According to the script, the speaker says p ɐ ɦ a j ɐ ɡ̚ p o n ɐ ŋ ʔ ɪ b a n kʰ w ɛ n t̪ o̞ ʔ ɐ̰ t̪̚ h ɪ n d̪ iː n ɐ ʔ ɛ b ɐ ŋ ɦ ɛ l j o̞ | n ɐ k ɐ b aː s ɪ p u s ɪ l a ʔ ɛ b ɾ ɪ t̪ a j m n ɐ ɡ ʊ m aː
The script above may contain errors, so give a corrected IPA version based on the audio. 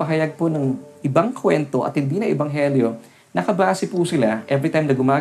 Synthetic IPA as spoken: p ɐ ɦ ɐ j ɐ ɡ̚ p o n ɐ ŋ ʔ ɪ b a ŋ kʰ w ɛ n t̪ o̞ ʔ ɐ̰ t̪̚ h ɪ n d̪ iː n ɐ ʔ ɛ b ɐ ŋ ɦ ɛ l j o̞ | n ɐ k ɐ b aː s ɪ p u s ɪ l a ʔ ɛ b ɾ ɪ t̪ a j m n ɐ ɡ ʊ m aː